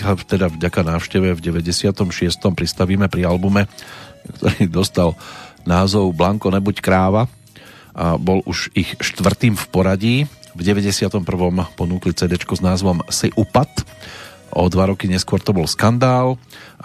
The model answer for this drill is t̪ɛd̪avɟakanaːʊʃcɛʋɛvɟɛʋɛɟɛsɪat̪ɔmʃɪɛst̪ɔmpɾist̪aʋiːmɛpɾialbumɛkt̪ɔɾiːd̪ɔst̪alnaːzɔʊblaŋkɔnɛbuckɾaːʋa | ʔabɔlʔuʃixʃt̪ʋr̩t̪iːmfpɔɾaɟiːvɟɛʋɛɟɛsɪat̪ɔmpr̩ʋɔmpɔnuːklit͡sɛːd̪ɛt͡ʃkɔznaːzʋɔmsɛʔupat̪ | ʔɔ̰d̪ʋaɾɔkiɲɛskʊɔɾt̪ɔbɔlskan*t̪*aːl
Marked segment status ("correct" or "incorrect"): incorrect